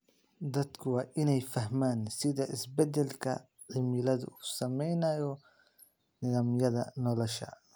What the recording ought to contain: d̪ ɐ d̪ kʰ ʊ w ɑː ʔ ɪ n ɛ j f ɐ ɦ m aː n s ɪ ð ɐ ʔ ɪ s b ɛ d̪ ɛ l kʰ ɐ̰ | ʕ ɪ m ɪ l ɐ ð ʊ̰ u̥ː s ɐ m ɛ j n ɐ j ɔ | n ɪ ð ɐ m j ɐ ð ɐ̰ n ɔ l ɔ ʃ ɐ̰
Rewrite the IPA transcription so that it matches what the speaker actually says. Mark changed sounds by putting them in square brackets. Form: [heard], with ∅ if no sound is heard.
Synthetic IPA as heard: d̪ ɐ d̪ kʰ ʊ w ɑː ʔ ɪ n ɛ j f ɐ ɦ m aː n s ɪ ð ɐ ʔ ɪ s b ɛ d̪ ɛ l kʰ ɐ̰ | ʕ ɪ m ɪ l ɐ ð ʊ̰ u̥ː s ɐ m ɛ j n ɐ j ɔ | n ɪ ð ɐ m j ɐ ð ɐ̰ n ɔ l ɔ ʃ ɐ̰